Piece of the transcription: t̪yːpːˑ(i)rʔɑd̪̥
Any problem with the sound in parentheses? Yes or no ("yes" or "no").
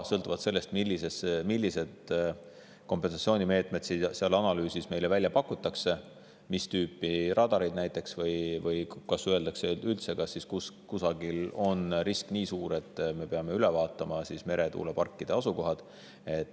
no